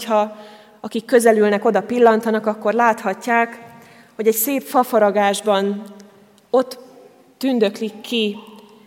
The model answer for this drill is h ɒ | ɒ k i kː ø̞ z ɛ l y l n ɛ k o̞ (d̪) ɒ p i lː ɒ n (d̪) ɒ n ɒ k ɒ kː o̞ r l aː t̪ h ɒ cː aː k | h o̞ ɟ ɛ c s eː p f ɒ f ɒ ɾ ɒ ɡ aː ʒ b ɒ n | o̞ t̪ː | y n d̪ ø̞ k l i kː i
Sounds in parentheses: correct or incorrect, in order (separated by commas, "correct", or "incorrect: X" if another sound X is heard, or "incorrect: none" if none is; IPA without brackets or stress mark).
correct, incorrect: t̪